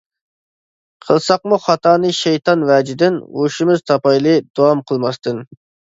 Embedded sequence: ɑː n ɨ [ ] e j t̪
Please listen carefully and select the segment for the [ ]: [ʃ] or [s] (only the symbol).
ʃ